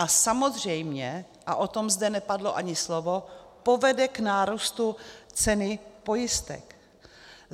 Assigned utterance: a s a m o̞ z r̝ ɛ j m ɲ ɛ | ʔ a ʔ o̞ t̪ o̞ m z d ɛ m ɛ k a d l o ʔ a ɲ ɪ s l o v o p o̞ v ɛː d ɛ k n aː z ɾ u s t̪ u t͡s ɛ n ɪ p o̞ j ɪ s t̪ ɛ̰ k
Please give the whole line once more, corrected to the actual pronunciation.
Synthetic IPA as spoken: a s a m o̞ z r̝ ɛ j m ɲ ɛ | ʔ a ʔ o̞ t̪ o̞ m z d ɛ n ɛ p a d l o ʔ a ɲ ɪ s l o v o p o̞ v ɛ d ɛ k n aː ɾ u s t̪ u t͡s ɛ n ɪ p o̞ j ɪ s t̪ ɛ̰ k